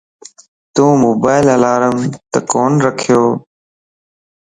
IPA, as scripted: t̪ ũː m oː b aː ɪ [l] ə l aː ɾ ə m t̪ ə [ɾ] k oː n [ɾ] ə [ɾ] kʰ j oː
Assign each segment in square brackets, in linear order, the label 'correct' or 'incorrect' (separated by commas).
correct, incorrect, correct, incorrect